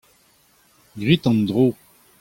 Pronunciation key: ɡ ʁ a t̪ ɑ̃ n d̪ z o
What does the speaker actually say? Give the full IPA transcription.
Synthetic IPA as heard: ɡ ʁ i t̪ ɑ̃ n d̪ ʁ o